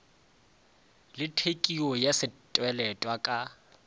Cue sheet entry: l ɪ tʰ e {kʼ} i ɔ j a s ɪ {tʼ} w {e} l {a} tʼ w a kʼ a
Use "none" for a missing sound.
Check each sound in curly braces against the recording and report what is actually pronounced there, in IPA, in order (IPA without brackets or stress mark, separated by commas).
kʼ, tʼ, ɛ, ɛ